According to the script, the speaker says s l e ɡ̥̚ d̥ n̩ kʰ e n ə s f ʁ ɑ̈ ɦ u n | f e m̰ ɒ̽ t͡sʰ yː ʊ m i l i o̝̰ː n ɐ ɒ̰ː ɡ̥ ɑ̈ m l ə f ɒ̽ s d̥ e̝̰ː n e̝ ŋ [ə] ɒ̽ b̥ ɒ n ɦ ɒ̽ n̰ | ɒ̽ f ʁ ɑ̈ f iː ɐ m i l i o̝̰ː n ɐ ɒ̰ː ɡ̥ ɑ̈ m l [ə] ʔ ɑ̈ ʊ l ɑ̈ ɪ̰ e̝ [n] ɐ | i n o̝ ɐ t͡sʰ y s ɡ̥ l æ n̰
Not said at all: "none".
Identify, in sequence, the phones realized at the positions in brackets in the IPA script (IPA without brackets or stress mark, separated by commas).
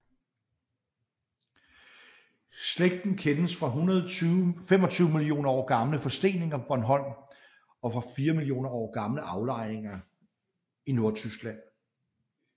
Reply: ɐ, ə, ŋ